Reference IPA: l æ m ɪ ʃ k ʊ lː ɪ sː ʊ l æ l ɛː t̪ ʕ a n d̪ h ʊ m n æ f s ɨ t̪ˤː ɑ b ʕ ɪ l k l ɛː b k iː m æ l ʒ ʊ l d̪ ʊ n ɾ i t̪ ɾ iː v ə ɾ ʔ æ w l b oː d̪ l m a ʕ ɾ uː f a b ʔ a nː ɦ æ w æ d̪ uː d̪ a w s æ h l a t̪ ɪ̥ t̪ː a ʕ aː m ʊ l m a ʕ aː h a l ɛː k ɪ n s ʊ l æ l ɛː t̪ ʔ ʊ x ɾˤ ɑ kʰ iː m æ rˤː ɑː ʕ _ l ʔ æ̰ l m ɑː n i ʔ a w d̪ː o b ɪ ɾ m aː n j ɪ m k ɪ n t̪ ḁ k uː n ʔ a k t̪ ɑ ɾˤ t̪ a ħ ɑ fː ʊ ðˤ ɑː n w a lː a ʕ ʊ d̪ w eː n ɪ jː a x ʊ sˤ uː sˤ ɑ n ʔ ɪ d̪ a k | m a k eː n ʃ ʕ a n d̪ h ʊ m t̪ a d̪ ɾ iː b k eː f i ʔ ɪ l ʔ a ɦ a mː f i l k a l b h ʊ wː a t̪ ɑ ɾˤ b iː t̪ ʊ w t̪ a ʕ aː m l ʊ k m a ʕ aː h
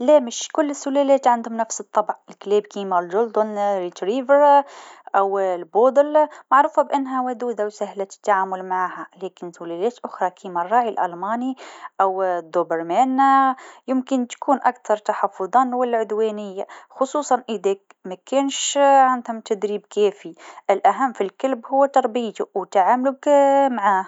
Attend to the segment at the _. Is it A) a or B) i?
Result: B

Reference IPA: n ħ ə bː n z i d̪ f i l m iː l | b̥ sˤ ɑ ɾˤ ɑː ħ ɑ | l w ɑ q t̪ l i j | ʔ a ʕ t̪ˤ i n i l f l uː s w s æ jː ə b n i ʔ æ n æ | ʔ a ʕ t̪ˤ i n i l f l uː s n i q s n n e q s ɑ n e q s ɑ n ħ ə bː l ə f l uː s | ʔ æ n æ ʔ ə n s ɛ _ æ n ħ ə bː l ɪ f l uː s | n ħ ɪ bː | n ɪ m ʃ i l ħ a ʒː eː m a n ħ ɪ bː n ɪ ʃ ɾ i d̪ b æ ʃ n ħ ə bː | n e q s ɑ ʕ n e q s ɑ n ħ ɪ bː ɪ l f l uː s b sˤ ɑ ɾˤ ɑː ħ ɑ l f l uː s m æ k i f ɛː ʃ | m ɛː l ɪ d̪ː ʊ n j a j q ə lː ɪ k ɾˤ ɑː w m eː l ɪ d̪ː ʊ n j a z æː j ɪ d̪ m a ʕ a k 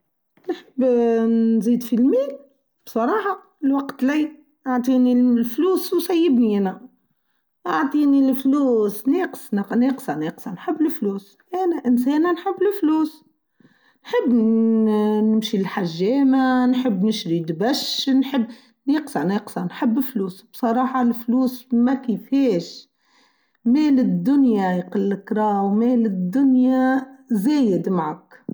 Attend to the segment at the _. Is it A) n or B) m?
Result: A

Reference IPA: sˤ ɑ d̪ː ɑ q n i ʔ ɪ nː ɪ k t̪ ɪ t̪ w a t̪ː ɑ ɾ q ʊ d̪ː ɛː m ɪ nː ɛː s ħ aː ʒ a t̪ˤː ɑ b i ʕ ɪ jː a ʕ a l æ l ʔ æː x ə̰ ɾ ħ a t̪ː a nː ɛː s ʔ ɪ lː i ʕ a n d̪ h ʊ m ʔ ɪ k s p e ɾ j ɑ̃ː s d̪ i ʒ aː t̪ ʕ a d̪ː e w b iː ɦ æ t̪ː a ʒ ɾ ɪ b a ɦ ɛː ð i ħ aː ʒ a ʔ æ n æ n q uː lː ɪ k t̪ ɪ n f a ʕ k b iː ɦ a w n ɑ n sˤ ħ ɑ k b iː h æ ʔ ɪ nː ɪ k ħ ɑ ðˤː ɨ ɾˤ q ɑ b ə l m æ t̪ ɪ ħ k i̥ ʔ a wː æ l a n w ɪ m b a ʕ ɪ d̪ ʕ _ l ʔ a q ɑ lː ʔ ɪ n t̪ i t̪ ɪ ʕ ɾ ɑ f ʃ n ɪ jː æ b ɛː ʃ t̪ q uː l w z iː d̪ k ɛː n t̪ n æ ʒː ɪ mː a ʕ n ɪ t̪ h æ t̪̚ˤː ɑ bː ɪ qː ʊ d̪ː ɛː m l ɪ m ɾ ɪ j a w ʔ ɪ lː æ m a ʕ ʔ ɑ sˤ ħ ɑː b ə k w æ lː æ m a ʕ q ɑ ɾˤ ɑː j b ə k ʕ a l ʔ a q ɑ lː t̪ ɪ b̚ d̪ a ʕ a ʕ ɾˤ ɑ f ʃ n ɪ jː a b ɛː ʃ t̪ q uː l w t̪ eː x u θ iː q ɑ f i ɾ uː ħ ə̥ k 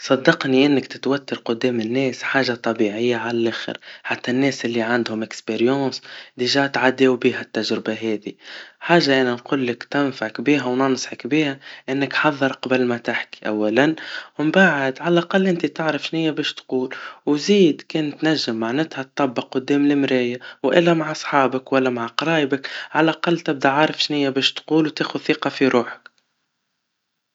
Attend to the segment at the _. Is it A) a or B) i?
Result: A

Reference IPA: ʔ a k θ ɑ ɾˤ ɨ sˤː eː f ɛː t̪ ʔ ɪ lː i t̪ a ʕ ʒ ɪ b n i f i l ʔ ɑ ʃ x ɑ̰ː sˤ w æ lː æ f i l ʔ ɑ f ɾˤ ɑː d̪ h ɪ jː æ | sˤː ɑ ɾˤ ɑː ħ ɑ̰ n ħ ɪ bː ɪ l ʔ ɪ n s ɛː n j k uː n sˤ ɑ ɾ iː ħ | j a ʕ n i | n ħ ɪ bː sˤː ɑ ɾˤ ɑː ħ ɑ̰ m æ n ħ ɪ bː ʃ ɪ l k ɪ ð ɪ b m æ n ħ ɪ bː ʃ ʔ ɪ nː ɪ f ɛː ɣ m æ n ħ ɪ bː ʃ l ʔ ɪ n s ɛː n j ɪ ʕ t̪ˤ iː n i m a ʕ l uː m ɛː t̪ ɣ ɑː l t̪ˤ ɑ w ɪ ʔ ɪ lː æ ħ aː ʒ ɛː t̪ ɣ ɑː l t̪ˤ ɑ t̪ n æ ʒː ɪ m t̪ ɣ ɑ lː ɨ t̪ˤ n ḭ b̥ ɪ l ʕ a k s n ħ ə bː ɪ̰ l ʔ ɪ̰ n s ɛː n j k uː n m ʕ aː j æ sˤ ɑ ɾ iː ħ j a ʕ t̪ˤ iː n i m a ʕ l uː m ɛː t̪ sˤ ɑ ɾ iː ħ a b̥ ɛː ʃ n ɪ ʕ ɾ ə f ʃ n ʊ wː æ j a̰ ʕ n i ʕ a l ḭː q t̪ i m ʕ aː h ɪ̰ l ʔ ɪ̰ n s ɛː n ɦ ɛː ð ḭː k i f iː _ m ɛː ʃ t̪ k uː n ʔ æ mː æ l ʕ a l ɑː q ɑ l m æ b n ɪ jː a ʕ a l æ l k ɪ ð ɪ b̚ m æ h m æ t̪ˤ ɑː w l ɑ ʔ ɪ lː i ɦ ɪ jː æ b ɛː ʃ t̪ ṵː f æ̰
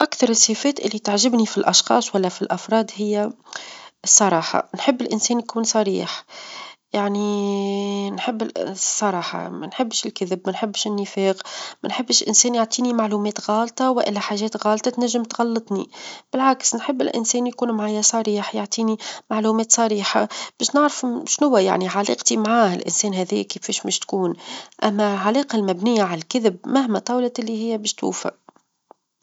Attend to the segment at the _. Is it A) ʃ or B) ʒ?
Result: A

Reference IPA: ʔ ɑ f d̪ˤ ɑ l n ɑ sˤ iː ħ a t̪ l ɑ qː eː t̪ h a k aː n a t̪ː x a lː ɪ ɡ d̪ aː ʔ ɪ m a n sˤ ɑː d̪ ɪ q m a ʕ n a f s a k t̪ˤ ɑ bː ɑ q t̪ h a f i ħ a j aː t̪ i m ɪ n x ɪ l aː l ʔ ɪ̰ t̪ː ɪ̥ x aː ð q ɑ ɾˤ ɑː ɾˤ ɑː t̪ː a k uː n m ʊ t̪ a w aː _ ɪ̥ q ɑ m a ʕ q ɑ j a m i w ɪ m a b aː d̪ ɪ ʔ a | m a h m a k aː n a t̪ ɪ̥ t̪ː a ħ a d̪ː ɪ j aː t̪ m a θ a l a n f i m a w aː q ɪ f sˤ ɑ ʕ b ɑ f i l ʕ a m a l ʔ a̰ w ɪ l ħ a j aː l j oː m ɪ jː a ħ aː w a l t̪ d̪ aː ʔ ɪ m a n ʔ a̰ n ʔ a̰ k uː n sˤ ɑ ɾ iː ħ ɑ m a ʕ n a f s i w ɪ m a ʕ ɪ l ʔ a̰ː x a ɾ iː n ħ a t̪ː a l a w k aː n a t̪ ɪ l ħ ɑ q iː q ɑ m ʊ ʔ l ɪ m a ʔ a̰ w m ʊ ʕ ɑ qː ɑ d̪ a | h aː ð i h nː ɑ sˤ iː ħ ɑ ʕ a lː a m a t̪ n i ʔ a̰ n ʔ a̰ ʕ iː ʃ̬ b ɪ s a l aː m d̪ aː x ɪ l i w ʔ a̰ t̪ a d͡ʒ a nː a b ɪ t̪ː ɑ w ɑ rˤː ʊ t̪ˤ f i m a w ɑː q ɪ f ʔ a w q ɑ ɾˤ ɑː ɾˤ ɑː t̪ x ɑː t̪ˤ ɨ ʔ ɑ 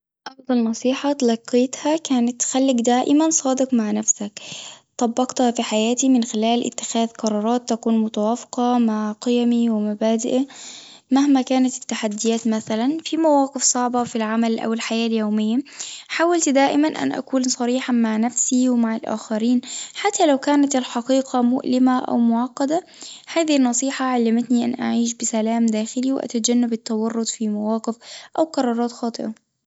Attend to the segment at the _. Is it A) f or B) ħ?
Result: A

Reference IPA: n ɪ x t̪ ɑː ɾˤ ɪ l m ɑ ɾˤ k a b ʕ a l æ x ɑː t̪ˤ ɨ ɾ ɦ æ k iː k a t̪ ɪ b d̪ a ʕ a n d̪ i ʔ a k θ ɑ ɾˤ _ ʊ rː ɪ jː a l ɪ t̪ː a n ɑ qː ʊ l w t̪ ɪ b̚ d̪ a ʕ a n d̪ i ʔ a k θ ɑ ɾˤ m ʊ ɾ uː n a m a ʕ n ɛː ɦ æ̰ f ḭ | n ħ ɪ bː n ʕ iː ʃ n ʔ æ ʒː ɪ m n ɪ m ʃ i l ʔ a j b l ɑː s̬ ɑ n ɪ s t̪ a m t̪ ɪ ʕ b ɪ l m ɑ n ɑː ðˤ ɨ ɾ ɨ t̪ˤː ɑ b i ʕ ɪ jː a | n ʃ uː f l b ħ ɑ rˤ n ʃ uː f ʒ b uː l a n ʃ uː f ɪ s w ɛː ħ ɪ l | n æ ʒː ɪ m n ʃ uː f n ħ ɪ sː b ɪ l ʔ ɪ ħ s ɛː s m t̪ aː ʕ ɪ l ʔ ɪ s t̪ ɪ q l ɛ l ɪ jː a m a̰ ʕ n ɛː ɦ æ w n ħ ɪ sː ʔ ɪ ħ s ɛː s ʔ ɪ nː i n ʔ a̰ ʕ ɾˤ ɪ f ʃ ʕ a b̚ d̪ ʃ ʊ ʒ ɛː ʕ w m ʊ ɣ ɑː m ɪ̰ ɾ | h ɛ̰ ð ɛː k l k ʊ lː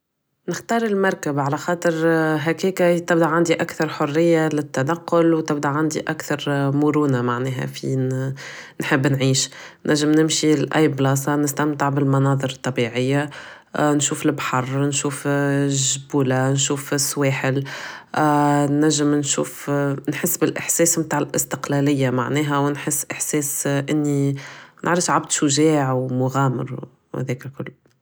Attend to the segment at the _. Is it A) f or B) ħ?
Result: B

